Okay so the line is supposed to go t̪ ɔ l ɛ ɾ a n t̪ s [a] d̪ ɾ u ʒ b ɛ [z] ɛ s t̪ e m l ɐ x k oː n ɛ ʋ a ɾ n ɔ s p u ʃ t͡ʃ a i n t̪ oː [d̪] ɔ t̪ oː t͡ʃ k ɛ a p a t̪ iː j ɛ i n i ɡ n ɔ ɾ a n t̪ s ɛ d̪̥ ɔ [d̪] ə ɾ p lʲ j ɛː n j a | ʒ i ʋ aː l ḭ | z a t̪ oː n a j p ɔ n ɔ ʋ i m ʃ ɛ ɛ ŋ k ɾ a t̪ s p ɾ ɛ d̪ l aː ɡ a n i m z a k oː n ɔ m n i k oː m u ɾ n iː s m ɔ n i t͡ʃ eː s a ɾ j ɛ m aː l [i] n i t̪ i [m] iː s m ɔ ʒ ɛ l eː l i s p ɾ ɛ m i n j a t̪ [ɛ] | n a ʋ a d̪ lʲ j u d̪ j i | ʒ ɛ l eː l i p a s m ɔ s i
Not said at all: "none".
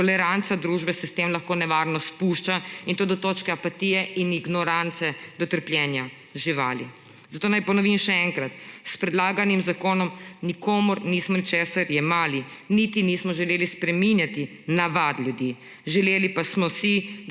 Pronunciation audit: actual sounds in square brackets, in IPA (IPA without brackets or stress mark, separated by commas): a, s, d̪, t̪, i, n, i